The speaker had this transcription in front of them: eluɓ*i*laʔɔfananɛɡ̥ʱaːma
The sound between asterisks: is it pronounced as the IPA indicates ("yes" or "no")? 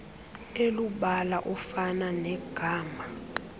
no